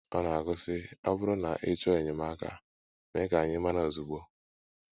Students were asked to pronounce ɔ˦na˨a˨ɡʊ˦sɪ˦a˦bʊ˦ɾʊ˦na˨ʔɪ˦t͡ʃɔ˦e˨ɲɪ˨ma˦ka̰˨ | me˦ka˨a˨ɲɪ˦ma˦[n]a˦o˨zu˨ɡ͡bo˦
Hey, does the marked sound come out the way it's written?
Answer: yes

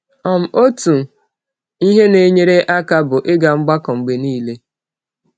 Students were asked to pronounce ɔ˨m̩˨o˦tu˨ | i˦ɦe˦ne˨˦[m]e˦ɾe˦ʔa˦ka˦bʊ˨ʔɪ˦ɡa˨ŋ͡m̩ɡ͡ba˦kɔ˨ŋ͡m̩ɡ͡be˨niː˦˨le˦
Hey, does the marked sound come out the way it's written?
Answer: no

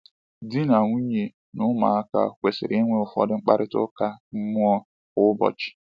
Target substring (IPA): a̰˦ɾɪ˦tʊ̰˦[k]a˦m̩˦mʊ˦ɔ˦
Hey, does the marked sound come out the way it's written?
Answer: yes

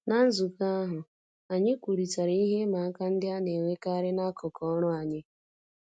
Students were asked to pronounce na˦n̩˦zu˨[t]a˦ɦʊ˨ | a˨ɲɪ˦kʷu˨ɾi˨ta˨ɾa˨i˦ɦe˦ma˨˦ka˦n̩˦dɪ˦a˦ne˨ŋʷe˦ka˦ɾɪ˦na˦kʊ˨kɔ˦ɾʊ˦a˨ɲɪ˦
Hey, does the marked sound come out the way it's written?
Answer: no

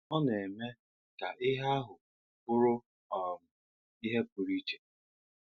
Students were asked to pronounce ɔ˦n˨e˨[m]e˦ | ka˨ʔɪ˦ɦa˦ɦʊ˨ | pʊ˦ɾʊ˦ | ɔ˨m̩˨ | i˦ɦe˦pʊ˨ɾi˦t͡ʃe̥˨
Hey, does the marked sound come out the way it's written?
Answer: yes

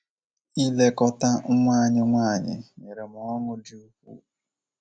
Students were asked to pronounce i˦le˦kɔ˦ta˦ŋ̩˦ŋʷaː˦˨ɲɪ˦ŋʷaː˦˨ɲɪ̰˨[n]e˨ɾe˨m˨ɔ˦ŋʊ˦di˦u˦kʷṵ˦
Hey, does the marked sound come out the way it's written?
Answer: no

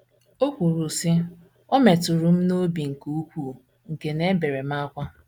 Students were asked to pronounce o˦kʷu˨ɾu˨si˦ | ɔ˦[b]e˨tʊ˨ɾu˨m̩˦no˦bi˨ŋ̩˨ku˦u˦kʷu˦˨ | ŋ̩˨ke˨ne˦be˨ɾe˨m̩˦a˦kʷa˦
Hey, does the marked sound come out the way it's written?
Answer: no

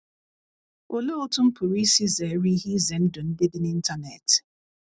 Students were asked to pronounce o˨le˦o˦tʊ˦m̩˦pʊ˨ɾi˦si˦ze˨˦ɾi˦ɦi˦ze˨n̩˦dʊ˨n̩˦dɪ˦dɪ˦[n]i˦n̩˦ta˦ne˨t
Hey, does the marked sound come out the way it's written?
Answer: yes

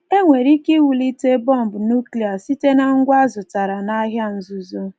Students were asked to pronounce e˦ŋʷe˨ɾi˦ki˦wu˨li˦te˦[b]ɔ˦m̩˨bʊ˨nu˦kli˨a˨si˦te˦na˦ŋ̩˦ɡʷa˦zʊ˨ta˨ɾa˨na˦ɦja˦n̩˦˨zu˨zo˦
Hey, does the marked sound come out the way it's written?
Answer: yes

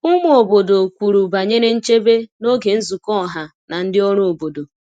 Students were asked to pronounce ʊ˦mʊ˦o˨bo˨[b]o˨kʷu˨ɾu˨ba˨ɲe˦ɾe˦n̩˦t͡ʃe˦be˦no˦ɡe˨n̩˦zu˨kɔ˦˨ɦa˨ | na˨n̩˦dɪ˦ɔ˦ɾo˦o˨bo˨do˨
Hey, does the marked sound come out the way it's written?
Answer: no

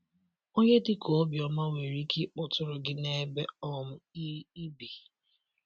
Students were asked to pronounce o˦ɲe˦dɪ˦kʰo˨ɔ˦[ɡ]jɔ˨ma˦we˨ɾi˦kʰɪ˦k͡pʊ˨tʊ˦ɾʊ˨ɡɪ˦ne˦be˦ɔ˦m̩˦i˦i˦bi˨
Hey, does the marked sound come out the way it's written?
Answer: no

